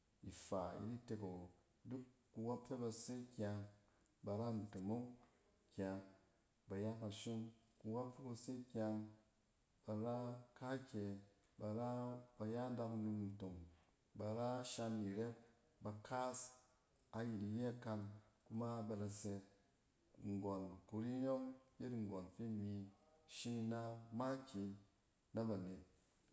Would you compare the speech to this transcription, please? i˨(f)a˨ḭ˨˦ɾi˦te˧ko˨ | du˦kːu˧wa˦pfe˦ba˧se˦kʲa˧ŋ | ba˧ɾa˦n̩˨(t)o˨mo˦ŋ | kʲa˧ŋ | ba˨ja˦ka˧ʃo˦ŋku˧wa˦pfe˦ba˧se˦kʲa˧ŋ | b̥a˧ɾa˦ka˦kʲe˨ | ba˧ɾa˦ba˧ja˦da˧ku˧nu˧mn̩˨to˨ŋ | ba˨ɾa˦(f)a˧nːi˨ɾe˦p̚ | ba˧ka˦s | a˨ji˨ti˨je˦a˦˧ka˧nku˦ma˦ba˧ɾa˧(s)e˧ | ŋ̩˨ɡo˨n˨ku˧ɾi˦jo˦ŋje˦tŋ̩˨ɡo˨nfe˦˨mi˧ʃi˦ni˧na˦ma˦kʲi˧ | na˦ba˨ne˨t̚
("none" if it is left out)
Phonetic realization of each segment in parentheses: f, t, ʃ, s

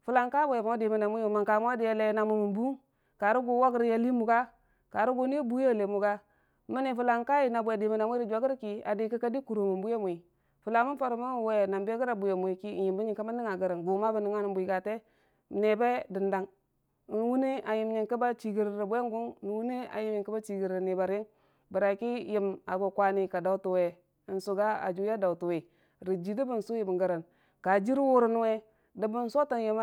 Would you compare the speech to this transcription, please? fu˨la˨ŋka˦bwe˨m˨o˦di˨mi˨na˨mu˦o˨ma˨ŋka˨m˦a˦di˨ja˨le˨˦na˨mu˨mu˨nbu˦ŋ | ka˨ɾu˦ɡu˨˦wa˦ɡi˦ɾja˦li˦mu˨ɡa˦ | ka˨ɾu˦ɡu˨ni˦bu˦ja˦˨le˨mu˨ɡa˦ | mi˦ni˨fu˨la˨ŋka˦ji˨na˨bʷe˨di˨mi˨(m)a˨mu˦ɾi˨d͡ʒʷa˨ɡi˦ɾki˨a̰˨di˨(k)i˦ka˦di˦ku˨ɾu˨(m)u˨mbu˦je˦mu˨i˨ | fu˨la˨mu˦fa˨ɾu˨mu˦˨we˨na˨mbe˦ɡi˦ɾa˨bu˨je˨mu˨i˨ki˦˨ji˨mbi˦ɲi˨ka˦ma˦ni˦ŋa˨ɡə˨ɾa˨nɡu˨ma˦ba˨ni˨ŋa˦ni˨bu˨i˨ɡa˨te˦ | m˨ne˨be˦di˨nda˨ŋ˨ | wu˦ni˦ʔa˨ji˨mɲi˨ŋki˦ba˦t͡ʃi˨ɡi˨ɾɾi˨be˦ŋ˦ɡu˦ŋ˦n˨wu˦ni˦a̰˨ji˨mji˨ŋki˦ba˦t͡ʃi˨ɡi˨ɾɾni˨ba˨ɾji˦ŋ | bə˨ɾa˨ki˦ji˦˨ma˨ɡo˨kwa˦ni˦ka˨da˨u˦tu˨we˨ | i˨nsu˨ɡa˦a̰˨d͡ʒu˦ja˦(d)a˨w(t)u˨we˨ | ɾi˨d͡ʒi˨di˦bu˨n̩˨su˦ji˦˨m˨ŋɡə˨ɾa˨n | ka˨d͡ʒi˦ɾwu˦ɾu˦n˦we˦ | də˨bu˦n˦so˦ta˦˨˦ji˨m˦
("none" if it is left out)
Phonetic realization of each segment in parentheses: n, k, m, d, t

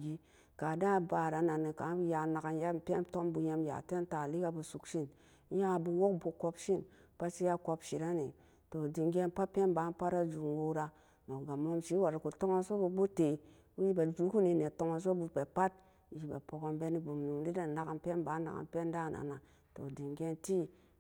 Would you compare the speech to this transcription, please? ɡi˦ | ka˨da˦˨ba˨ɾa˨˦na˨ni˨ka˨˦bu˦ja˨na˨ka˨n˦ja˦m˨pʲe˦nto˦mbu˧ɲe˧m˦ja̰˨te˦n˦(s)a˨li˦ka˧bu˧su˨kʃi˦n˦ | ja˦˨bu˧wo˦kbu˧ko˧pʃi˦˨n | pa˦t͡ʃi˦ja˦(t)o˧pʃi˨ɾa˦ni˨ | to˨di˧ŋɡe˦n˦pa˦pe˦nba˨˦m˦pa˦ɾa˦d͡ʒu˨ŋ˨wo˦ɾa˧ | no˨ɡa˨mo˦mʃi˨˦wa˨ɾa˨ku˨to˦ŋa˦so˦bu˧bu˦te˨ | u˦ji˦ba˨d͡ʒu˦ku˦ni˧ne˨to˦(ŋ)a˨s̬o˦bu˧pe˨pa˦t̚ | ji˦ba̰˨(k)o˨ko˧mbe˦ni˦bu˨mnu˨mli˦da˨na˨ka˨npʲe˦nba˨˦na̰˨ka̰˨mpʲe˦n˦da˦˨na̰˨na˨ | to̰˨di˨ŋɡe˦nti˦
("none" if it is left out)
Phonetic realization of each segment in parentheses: t, k, ŋ, p

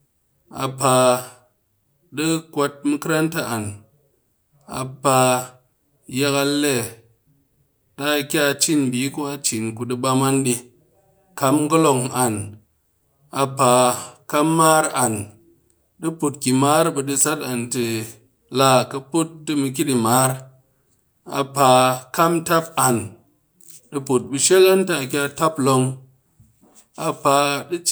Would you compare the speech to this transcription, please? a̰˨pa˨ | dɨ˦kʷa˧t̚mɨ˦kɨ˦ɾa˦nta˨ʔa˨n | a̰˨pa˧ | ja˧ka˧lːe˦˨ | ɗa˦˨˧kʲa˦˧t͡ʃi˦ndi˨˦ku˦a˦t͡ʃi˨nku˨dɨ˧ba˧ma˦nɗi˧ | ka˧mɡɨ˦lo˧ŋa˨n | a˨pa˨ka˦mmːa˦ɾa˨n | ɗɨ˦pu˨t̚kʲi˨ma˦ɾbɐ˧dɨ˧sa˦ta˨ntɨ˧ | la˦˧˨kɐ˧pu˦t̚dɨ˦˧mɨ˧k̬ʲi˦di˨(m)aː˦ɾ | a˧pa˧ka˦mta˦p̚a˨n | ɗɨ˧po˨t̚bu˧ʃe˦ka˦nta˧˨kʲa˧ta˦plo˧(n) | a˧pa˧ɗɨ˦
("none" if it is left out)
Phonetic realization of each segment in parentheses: m, ŋ

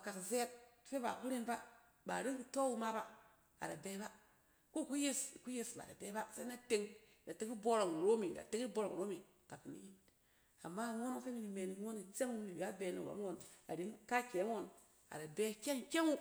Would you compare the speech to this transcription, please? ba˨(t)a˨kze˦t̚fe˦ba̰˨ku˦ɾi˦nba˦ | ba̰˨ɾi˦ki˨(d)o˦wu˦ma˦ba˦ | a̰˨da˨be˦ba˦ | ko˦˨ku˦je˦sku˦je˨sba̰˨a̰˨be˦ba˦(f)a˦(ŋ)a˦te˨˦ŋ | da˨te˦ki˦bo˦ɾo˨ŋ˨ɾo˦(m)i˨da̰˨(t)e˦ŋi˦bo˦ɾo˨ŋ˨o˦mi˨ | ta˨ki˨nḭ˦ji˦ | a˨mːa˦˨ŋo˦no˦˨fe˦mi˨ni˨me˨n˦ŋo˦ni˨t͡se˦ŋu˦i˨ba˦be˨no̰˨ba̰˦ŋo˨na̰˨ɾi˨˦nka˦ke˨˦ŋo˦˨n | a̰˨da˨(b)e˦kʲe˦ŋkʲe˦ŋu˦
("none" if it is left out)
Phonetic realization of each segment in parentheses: k, t, s, n, m, t, b

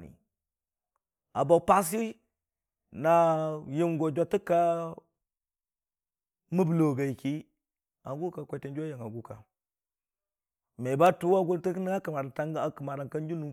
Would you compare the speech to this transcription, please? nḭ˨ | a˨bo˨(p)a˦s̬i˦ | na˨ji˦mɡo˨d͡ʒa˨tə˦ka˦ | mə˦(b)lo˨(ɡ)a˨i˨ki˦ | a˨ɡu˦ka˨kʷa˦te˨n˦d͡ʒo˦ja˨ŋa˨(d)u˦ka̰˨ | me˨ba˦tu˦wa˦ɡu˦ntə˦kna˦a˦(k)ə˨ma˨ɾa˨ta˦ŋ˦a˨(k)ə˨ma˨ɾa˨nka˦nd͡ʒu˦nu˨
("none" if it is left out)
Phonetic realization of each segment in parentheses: p, b, ɡ, ɡ, k, k

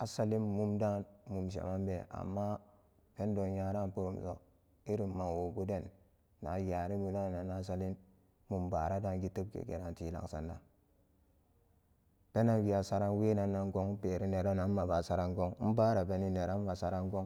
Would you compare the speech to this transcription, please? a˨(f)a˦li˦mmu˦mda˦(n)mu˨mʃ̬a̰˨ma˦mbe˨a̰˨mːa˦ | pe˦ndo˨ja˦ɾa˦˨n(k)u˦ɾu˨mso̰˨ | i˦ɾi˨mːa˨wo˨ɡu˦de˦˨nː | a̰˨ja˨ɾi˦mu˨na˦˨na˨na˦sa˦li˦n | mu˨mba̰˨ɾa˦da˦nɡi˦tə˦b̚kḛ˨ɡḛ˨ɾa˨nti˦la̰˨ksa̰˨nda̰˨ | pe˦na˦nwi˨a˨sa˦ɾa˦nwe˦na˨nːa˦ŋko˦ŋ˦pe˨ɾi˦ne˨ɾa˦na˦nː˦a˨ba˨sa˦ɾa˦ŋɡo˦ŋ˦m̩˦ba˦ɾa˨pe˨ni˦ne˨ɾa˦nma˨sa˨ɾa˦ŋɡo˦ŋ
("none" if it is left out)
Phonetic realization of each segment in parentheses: s, n, p

